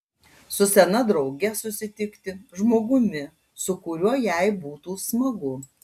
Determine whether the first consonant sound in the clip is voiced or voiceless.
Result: voiceless